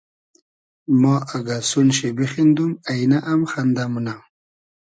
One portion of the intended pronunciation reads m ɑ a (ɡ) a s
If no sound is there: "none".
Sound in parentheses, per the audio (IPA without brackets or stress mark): ɡ